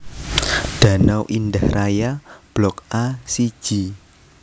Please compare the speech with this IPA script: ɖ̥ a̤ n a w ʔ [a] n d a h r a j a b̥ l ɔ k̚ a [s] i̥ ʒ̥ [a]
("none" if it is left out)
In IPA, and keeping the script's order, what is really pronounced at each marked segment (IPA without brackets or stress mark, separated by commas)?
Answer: i, s, i